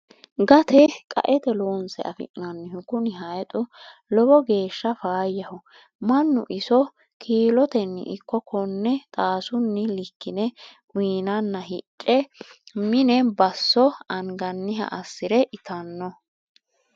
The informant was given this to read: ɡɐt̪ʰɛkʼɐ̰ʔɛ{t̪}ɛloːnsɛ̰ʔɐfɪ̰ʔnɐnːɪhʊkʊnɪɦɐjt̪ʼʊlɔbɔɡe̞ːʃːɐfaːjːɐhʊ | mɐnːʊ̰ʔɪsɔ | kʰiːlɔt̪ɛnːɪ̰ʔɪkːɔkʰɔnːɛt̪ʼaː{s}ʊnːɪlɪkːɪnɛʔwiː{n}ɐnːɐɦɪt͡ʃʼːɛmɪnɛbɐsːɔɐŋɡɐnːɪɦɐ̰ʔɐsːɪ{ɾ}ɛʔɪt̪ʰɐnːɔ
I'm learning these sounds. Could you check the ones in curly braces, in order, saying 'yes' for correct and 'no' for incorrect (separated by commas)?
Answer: yes, yes, yes, yes